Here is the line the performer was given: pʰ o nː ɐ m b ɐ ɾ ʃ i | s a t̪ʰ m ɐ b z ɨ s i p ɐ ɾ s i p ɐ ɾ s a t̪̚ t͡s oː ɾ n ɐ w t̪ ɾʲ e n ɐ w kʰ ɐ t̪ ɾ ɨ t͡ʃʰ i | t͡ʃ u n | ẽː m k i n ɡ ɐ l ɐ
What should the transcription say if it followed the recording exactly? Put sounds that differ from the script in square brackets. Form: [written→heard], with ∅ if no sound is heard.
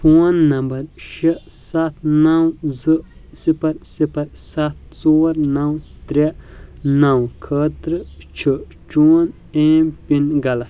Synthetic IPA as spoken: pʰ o nː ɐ m b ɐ ɾ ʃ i | s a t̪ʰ [m→n] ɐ [b→w] z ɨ s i p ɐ ɾ s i p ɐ ɾ s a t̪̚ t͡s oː ɾ n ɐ w t̪ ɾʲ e n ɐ w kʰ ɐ t̪ ɾ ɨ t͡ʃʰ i | t͡ʃ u n | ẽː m [k→p] i n ɡ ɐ l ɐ

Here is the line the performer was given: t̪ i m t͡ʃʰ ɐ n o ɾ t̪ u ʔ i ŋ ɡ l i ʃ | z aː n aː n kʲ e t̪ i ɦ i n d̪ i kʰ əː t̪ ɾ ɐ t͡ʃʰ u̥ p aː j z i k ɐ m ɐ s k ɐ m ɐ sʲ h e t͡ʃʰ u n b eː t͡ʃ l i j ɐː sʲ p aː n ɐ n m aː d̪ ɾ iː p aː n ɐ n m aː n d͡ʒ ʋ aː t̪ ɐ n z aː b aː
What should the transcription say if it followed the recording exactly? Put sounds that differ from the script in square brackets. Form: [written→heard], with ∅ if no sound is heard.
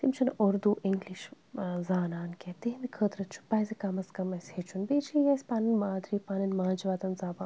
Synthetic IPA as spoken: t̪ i m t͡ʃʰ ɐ n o ɾ [t̪→d̪] u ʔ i ŋ ɡ l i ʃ | z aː n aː n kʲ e t̪ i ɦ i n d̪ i kʰ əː t̪ ɾ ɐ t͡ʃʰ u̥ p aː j z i k ɐ m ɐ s k ɐ m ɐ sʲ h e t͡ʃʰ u n b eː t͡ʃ l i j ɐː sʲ p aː n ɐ n m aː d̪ ɾ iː p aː n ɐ n m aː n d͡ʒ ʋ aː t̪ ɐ n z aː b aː

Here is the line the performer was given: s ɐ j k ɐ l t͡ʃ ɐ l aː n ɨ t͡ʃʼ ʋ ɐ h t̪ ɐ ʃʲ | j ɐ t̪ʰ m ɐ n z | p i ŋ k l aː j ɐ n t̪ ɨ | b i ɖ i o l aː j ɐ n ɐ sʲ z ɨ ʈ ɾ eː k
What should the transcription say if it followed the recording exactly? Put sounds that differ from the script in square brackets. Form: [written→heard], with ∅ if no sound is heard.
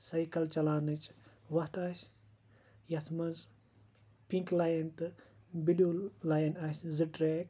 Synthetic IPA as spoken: s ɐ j k ɐ l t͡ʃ ɐ l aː n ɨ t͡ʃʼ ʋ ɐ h t̪ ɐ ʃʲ | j ɐ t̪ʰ m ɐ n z | p i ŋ k l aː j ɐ n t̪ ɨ | b i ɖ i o l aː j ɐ n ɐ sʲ z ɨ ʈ ɾ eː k

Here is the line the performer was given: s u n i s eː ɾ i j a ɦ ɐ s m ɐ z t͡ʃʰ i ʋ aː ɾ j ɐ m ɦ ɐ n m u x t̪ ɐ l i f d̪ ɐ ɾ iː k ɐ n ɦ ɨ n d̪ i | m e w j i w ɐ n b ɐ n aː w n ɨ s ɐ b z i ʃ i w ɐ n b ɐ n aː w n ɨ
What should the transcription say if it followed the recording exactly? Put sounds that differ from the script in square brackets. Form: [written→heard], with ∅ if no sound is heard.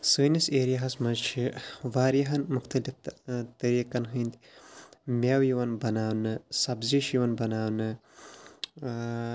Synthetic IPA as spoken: s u n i s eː ɾ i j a ɦ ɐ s m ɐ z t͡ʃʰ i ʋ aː ɾ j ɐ [m→∅] ɦ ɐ n m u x t̪ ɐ l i f [d̪→t̪] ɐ ɾ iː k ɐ n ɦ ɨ n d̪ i | m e w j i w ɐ n b ɐ n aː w n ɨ s ɐ b z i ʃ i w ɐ n b ɐ n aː w n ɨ

